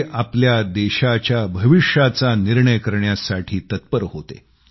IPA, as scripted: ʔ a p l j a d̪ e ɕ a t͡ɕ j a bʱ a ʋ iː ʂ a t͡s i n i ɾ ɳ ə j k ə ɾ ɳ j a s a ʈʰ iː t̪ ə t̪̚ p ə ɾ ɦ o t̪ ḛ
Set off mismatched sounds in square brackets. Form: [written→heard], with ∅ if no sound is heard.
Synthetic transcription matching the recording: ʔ a p l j a d̪ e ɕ a t͡ɕ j a bʱ [a→ə] ʋ [iː→i] ʂ a t͡s [i→a] n i ɾ ɳ ə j k ə ɾ ɳ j a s a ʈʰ iː t̪ ə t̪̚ p ə ɾ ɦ o t̪ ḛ

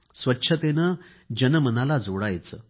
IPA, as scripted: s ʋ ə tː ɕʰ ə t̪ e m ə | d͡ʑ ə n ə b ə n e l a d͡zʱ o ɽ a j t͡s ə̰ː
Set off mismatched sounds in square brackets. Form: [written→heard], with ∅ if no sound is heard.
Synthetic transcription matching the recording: s ʋ ə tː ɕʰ ə t̪ e [m→n] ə | d͡ʑ ə n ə [b→m] ə n [e→a] l a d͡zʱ o ɽ a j t͡s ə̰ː

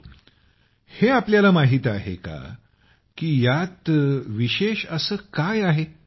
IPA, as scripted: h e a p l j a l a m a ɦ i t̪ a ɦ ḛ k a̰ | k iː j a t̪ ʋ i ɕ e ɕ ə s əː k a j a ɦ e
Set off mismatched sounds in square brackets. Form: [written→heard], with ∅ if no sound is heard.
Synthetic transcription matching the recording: h e a p l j a l a m a ɦ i t̪ a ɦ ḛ k a̰ | k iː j a t̪ ʋ i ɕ e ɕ ə s əː k a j a ɦ e

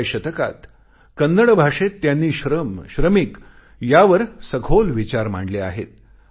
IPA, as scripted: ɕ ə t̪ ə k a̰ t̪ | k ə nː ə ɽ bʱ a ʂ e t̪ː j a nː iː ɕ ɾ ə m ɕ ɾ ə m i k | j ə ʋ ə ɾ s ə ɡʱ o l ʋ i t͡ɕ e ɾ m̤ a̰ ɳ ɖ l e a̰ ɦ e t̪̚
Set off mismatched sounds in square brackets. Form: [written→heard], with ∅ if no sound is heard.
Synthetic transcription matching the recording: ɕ ə t̪ ə k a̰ t̪ | k ə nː ə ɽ bʱ a ʂ e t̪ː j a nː iː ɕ ɾ ə m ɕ ɾ ə m i k | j [ə→a] ʋ ə ɾ s ə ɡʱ o l ʋ i t͡ɕ [e→a] ɾ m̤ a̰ ɳ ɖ l e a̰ ɦ e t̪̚

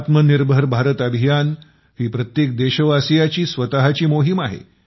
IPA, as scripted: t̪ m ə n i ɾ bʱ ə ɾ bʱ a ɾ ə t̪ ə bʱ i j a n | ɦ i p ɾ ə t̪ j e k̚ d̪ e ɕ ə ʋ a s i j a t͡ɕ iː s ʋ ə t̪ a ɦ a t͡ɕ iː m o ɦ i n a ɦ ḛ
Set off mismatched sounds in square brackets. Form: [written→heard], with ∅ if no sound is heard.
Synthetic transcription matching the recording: t̪ m ə n i ɾ bʱ ə ɾ bʱ a ɾ ə t̪ ə bʱ i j a n | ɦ [i→iː] p ɾ ə t̪ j e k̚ d̪ e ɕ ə ʋ a s i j a t͡ɕ iː s ʋ ə t̪ a ɦ a t͡ɕ iː m o ɦ i [n→m] a ɦ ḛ

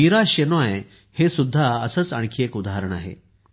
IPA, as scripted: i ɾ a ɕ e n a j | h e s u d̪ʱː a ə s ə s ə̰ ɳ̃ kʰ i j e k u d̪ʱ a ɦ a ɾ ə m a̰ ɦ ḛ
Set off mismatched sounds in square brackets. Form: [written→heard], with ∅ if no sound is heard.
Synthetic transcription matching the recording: i ɾ a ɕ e n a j | h e s u d̪ʱː a ə s ə [s→t͡s] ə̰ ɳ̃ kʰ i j e k u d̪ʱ a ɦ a ɾ ə [m→ɳ] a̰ ɦ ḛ

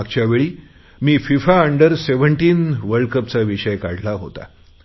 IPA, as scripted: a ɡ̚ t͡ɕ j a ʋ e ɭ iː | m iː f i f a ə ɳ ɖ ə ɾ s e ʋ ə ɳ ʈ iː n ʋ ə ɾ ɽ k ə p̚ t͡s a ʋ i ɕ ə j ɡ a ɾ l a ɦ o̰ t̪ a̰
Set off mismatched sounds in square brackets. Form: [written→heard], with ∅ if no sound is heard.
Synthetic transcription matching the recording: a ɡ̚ t͡ɕ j a ʋ e ɭ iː | m iː f i f a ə ɳ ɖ ə ɾ s e ʋ ə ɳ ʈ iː n ʋ ə ɾ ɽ k ə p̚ t͡s a ʋ i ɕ ə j [ɡ→k] a [ɾ→ɽ] l a ɦ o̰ t̪ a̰

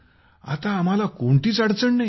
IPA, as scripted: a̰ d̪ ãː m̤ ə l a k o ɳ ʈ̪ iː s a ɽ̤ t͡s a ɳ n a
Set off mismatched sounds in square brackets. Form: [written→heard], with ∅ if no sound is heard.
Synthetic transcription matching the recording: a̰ [d̪→t̪] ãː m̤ [ə→a] l a k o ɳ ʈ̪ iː [s→t͡s] a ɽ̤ t͡s [a→ə] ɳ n a

